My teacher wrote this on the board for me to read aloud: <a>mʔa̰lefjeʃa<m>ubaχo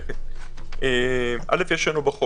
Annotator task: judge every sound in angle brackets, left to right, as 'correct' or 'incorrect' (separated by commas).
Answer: incorrect, incorrect